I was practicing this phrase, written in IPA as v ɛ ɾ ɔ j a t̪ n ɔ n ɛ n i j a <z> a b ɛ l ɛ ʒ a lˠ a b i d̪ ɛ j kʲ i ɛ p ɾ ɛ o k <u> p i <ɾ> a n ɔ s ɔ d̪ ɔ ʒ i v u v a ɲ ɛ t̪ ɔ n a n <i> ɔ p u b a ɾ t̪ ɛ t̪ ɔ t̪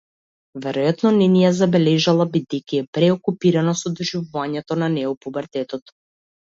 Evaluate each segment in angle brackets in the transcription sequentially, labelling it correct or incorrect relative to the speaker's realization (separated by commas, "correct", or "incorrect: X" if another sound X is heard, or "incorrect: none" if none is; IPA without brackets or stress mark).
correct, correct, correct, incorrect: ɛ